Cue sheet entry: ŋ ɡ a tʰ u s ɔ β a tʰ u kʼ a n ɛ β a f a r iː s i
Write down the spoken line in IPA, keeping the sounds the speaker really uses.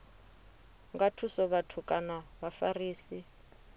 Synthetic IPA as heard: ŋ ɡ a tʰ u s ɔ β a tʰ u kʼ a n a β a f a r iː s i